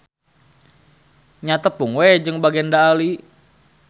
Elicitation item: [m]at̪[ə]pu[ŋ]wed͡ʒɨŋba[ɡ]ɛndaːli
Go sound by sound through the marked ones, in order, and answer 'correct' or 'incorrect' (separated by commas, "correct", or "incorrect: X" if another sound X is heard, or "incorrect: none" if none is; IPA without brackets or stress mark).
incorrect: ɲ, correct, correct, correct